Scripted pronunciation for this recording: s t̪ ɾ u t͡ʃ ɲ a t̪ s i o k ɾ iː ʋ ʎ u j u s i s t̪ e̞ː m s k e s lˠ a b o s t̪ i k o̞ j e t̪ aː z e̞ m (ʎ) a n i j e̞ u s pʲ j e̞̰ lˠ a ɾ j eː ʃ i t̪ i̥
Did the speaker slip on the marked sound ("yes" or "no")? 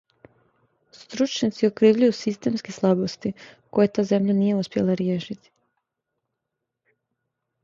no